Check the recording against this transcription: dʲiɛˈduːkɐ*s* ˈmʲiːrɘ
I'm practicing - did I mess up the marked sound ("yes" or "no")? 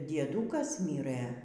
no